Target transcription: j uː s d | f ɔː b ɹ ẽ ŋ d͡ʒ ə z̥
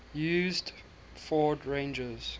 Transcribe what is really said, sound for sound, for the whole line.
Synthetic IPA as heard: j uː z d | f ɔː d ɹ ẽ n d͡ʒ ə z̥